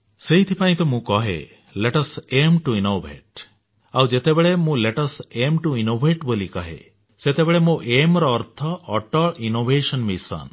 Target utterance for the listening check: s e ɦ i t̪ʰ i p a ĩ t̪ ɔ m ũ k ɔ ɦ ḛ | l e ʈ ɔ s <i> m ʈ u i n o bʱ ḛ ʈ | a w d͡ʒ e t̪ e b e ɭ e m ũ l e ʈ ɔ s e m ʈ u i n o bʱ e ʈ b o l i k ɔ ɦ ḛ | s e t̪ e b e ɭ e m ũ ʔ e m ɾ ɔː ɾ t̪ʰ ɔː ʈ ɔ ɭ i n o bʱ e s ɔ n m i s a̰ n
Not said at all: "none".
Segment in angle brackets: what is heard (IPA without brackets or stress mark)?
e